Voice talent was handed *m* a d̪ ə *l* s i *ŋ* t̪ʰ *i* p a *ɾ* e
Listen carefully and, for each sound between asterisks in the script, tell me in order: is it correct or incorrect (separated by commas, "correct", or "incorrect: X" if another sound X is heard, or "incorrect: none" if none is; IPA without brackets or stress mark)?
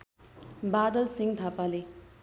incorrect: b, correct, correct, incorrect: a, incorrect: l